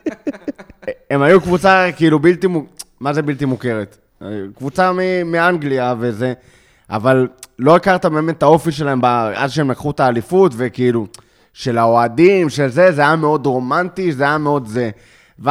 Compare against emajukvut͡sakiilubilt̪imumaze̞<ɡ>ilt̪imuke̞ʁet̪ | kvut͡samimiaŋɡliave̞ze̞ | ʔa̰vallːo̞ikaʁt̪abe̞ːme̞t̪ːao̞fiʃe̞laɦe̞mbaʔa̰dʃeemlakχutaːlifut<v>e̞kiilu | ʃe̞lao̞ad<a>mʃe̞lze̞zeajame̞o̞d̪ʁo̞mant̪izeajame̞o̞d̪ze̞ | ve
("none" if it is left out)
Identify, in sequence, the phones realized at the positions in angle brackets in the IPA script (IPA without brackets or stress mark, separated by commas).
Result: b, v, i